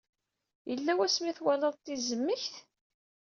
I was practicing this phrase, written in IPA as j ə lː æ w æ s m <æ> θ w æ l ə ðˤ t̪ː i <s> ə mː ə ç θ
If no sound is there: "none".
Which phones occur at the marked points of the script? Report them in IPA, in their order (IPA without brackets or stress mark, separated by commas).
i, z